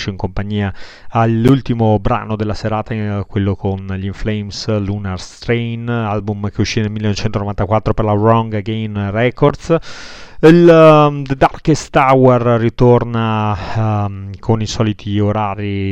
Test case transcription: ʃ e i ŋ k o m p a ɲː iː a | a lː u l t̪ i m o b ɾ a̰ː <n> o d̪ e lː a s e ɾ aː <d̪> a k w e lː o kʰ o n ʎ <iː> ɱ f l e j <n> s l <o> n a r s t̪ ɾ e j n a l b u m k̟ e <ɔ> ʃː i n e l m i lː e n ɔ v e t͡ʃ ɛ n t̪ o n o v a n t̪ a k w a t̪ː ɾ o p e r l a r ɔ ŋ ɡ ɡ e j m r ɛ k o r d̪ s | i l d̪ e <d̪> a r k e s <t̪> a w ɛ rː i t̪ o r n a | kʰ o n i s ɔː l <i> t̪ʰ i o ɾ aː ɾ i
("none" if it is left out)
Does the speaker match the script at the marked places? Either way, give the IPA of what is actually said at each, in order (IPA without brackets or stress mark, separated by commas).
n, t̪, i, m, u, u, d̪, t̪, i